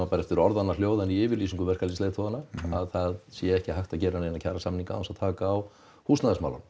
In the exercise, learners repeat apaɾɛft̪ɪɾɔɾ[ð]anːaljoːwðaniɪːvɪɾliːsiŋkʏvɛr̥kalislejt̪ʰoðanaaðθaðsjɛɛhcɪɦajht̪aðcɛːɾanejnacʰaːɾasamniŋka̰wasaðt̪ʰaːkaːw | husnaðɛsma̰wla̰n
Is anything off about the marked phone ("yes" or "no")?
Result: no